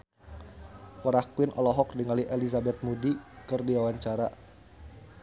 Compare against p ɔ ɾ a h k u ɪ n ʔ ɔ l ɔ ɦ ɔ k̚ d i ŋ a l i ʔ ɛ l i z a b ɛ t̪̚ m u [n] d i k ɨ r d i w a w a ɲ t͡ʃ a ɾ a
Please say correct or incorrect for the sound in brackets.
incorrect